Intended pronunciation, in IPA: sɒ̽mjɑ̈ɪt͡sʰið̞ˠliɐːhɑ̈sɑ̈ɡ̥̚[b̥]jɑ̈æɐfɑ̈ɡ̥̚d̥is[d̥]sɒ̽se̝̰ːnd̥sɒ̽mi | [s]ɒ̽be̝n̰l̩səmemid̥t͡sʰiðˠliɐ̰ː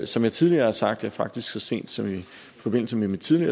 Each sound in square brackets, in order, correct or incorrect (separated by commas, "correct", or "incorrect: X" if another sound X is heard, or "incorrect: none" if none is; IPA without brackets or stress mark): incorrect: d̥, incorrect: ɡ̥, incorrect: f